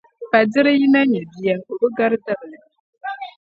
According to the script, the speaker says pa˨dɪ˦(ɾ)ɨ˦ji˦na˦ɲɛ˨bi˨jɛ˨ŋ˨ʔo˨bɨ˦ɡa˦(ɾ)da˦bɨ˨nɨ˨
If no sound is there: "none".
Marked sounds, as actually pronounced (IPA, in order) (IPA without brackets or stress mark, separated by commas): ɾ, ɾ